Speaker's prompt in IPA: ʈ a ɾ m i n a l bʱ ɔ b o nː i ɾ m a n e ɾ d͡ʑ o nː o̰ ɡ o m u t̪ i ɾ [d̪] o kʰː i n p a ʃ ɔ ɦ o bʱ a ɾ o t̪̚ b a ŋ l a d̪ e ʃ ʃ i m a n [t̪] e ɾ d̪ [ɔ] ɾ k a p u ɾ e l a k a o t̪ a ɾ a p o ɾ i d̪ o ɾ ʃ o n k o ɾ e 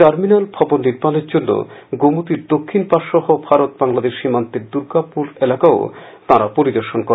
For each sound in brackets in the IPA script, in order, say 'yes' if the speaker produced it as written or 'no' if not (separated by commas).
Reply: yes, yes, no